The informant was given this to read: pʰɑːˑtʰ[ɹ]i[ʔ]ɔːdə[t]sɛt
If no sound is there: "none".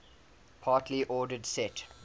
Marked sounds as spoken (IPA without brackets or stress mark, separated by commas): l, ʔ, d